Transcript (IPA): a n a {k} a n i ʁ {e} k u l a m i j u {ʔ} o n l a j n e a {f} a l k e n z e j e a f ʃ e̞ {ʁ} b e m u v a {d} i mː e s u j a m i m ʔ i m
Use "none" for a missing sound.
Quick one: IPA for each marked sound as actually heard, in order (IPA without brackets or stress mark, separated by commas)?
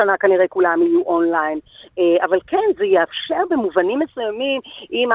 k, e, ʔ, v, ʁ, n